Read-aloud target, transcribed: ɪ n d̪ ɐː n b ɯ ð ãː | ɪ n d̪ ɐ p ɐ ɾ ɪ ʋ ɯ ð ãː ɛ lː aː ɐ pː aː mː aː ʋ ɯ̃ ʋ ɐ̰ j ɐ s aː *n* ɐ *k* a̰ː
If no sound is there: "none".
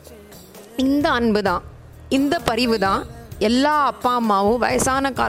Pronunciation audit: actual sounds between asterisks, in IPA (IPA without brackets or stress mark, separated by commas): n, k